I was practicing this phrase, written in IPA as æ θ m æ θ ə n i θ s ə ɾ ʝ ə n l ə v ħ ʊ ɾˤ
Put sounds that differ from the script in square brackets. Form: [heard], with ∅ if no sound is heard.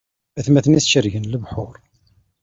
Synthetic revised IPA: æ θ m æ θ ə n i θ [ʃ] ə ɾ ʝ ə n l ə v ħ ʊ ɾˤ